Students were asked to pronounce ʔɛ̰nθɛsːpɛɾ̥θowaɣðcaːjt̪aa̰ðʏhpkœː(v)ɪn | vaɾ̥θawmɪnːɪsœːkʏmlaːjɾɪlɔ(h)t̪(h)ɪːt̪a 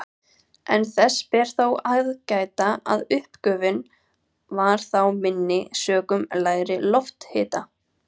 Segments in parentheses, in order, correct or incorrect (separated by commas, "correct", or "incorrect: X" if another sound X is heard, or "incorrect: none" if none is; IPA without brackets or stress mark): correct, incorrect: f, correct